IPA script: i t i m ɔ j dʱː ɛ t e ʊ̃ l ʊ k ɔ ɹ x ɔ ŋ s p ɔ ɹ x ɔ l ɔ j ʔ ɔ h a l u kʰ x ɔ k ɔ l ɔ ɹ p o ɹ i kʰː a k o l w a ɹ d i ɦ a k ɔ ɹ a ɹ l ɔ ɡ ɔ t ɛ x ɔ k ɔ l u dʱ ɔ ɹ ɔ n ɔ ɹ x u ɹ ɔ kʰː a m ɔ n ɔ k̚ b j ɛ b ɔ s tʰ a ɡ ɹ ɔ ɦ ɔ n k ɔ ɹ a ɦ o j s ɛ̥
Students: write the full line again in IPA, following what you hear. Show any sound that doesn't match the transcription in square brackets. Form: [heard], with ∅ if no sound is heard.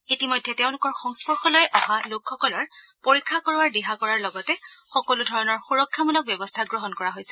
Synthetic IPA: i t i m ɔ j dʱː ɛ t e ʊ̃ l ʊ k ɔ ɹ x ɔ ŋ s p ɔ ɹ x ɔ l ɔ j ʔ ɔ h a l [o] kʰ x ɔ k ɔ l ɔ ɹ p o ɹ i kʰː a k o [ɹ] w a ɹ d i ɦ a k ɔ ɹ a ɹ l ɔ ɡ ɔ t ɛ x ɔ k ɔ l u dʱ ɔ ɹ ɔ n ɔ ɹ x u ɹ ɔ kʰː a m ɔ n ɔ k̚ b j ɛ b ɔ s tʰ a ɡ ɹ ɔ ɦ ɔ n k ɔ ɹ a ɦ o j s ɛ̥